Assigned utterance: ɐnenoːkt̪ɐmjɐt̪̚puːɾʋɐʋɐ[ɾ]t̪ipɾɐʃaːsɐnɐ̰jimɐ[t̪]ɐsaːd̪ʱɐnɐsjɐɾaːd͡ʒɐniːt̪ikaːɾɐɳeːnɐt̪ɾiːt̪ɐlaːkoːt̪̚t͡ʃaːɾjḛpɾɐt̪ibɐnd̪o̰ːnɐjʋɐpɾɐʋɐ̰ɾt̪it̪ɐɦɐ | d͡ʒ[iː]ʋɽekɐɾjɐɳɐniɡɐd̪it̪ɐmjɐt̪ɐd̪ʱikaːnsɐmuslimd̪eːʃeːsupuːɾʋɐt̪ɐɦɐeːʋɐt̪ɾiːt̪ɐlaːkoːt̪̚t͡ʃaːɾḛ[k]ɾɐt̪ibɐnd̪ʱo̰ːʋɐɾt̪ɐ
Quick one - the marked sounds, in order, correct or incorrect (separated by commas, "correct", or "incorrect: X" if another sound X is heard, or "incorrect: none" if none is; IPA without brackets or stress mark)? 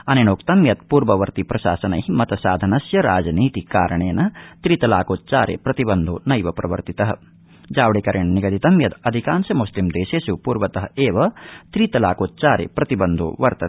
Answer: correct, correct, incorrect: aː, incorrect: p